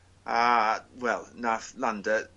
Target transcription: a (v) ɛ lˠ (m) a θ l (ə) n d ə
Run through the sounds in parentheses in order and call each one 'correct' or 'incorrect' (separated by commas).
incorrect, incorrect, incorrect